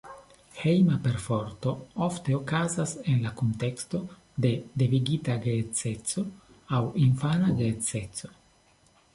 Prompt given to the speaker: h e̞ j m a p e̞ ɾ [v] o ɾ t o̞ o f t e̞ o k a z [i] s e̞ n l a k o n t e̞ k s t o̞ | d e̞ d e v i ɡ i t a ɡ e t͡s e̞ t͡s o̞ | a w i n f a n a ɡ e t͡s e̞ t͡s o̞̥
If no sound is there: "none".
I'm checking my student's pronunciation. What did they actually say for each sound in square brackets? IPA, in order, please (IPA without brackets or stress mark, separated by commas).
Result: f, a